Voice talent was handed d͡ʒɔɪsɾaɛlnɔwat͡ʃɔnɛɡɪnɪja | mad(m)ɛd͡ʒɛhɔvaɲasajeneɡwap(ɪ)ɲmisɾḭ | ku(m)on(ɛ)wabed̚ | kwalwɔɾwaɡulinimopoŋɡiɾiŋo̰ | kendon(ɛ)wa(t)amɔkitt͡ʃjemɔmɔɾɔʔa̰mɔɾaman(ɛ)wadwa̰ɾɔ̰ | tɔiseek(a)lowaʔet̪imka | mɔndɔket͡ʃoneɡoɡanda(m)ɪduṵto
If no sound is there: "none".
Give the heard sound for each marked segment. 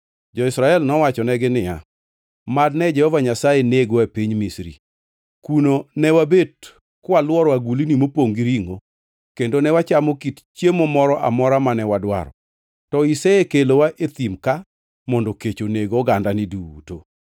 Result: n, i, n, ɛ, ɛ, t͡ʃ, ɛ, e, n

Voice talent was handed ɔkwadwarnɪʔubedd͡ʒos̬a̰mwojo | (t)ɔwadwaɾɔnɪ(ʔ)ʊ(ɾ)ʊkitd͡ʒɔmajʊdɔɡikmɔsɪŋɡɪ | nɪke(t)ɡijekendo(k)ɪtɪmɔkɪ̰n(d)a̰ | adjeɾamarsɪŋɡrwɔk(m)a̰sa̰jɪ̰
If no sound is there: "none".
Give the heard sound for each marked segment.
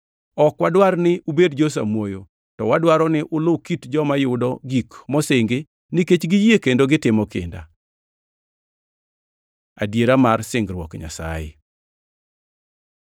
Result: t, ʔ, l, t͡ʃ, ɡ, d, ɲ

